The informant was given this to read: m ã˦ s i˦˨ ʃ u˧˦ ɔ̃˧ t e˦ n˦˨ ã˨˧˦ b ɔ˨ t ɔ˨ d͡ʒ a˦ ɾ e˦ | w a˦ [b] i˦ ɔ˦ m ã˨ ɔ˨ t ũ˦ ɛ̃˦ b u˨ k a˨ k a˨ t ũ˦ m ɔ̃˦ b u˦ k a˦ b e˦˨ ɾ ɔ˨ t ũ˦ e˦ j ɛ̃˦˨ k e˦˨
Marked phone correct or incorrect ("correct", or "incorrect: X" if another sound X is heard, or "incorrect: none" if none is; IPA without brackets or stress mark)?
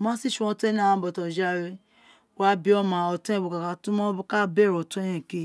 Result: correct